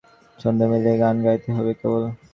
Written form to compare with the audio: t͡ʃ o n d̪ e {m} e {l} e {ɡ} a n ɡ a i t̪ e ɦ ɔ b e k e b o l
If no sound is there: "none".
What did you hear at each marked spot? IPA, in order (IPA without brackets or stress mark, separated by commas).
m, l, ɡ